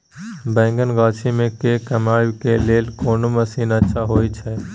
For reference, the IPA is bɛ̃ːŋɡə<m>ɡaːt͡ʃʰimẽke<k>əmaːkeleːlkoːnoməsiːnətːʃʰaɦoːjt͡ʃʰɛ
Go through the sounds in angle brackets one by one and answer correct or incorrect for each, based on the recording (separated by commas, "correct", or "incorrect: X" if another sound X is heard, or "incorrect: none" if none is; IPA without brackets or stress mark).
incorrect: n, correct